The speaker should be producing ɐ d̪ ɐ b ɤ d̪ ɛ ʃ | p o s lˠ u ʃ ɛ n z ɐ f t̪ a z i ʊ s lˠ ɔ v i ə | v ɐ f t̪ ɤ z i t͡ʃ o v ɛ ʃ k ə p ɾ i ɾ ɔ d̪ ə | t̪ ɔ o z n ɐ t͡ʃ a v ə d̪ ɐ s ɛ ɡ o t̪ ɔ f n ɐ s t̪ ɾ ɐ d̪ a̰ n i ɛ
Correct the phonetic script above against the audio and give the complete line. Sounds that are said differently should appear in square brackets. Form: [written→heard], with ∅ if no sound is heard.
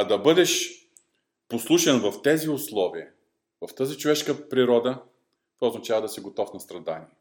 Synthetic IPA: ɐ d̪ ɐ b ɤ d̪ ɛ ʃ | p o s lˠ u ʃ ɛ n [z→v] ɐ f t̪ [a→ɛ] z i ʊ s lˠ ɔ v i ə | v ɐ f t̪ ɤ z i t͡ʃ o v ɛ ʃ k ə p ɾ i ɾ ɔ d̪ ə | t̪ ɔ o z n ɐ t͡ʃ a v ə d̪ ɐ s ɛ ɡ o t̪ ɔ f n ɐ s t̪ ɾ ɐ d̪ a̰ n i ɛ